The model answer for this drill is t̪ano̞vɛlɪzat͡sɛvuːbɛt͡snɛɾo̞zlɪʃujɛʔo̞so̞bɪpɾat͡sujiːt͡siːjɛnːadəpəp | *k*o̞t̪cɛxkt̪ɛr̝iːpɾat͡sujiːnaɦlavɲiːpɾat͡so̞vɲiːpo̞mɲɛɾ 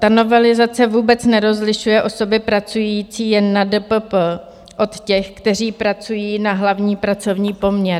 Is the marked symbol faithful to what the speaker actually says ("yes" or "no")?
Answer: no